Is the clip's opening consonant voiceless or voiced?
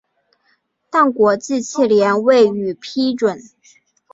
voiceless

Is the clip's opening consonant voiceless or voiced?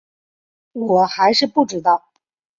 voiced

